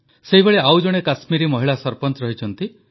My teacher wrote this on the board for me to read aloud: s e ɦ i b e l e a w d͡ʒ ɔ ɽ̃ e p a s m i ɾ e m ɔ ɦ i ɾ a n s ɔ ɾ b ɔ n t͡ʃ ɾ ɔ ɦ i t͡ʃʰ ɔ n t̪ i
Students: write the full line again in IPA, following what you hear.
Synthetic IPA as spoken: s e ɦ i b e ɭ e a w d͡ʒ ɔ ɽ̃ e k a s m i ɾ i m ɔ ɦ i ɭ a s ɔ ɾ p ɔ n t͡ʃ ɾ ɔ ɦ i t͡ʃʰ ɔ n t̪ i